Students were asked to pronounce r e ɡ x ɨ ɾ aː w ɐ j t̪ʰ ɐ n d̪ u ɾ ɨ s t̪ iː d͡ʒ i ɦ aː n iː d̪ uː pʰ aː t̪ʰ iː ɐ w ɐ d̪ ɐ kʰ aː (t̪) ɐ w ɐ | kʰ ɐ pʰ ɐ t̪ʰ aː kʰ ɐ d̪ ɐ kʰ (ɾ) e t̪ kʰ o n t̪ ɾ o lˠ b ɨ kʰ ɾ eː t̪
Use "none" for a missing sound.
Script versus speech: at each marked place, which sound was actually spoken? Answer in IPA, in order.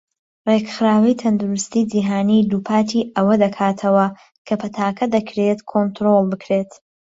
t̪ʰ, ɾ

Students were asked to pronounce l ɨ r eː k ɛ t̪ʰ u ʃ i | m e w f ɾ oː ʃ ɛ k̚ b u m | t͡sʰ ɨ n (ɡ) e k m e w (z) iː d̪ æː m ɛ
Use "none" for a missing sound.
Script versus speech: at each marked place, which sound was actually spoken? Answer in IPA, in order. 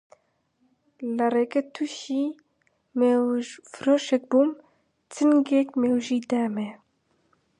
ɡ, ʒ

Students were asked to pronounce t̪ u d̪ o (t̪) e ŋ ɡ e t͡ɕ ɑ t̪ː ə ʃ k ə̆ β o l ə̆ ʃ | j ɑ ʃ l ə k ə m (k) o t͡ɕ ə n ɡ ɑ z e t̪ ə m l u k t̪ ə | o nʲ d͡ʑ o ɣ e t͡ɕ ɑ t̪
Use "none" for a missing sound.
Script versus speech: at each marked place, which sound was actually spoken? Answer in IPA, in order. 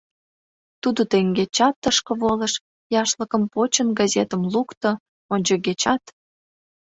t̪, p

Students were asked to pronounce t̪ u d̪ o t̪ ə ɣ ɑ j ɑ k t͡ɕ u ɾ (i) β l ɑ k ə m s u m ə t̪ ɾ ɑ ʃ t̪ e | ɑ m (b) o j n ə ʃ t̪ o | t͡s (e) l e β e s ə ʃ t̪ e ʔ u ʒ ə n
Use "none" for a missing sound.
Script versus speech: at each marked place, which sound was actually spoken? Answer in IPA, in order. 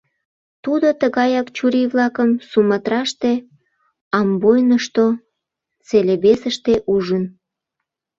i, b, e

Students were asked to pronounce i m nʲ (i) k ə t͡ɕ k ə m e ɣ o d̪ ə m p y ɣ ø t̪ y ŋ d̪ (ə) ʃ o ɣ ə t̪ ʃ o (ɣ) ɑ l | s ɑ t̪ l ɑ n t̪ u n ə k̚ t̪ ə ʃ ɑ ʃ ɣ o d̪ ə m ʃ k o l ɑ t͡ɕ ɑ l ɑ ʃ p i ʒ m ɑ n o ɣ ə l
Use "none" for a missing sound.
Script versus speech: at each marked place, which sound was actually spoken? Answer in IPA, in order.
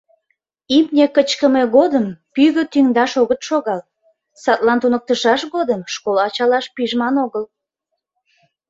e, ɑ, ɣ

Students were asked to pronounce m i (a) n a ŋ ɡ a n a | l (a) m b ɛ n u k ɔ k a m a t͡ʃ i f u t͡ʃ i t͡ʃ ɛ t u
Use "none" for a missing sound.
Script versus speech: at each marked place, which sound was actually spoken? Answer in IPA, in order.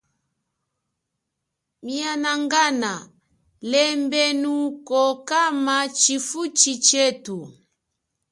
a, ɛ

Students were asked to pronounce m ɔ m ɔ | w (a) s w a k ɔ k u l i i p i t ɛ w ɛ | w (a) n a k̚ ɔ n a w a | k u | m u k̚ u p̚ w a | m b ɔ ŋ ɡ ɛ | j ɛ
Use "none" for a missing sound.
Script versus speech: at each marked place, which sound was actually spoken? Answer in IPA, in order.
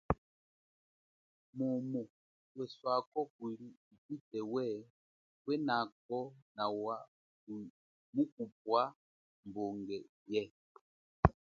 ɛ, ɛ

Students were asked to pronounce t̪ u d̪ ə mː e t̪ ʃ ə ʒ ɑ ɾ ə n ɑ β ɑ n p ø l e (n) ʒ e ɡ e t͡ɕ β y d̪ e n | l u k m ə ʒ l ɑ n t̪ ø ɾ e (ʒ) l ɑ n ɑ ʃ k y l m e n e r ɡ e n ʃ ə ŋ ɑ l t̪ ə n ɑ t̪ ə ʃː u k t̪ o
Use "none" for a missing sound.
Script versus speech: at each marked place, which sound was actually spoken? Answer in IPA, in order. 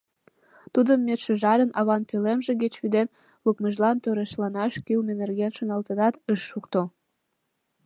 m, ʃ

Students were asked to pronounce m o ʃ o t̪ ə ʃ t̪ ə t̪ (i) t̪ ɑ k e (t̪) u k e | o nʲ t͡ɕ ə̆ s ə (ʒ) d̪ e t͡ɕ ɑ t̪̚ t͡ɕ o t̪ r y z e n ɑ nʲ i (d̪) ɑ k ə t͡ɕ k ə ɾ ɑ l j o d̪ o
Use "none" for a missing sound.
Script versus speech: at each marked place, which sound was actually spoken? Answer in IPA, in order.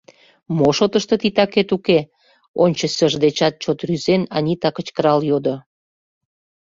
i, t̪, ʒ, t̪

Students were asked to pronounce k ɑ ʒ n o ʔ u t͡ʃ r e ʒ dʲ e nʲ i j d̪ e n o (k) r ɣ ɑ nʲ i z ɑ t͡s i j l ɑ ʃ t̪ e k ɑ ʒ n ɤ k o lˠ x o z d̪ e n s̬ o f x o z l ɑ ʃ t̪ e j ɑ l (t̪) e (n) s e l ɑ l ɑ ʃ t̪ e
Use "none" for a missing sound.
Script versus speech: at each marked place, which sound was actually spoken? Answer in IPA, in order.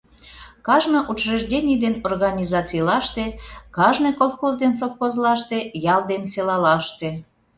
none, d̪, n

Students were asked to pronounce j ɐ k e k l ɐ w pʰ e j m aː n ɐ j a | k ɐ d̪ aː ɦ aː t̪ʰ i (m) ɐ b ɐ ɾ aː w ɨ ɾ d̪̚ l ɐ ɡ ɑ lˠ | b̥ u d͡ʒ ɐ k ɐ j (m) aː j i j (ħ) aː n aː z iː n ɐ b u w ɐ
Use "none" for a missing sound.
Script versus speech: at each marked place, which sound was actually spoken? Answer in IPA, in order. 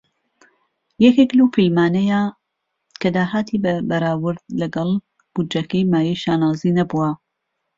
b, m, ʃ

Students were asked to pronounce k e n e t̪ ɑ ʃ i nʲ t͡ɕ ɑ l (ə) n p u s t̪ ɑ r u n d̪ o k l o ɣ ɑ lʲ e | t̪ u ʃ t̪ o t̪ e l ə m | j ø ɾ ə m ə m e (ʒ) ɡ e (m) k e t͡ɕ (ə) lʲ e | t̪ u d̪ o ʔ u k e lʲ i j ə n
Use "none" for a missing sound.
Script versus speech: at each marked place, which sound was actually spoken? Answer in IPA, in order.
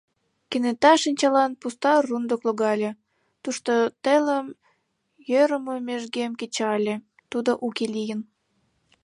ɑ, ʒ, m, ɑ

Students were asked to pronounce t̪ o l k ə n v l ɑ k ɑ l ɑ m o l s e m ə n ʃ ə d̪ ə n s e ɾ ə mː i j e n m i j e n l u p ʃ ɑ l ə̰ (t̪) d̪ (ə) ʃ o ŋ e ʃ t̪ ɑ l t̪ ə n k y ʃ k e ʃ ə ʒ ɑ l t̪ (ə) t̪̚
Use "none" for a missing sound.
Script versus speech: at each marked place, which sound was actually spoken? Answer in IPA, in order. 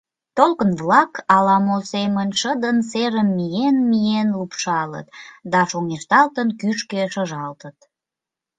t̪, ɑ, ə

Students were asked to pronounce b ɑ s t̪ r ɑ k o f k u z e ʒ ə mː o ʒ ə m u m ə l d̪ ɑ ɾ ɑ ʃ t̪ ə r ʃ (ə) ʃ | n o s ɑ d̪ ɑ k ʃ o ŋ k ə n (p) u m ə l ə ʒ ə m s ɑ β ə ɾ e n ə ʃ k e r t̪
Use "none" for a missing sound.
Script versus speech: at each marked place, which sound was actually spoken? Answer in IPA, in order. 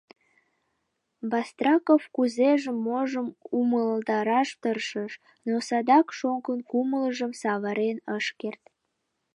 ə, k

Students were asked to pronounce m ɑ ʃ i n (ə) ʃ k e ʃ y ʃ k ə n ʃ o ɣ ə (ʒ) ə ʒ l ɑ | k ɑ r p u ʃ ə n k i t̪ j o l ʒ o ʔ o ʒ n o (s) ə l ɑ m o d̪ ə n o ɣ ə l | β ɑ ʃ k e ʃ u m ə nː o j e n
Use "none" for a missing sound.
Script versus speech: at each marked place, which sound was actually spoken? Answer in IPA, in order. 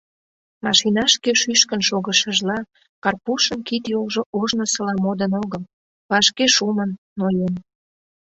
ɑ, ʃ, s

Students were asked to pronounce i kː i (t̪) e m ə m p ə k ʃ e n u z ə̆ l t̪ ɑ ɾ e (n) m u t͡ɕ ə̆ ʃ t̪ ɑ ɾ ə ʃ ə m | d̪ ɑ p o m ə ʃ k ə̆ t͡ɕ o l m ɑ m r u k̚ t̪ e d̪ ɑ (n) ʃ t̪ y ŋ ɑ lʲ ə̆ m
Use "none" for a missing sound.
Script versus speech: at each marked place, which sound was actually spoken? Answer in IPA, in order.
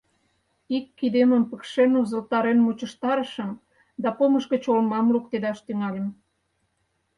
d̪, n, none

